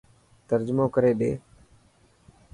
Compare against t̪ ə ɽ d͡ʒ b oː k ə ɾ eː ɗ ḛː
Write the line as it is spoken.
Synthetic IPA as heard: t̪ ə ɾ d͡ʒ m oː k ə ɾ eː ɗ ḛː